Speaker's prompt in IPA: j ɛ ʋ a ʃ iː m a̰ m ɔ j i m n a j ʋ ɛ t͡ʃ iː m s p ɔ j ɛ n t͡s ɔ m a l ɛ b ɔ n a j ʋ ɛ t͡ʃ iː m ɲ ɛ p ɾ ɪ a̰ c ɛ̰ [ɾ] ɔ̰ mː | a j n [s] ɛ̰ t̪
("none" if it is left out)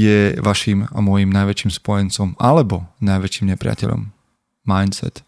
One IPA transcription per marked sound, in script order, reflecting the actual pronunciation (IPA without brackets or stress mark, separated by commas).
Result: ʎ, s